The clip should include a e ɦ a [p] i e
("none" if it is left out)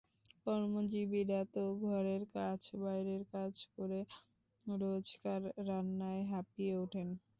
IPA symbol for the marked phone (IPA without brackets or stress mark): p